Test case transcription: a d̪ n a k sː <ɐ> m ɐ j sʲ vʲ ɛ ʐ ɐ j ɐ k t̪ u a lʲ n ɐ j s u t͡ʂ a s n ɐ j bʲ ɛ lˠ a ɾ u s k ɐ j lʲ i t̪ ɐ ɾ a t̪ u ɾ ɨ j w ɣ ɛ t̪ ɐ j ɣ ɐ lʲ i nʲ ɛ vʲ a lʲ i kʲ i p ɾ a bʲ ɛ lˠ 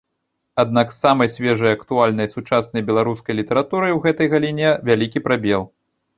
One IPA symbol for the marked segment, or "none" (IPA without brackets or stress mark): a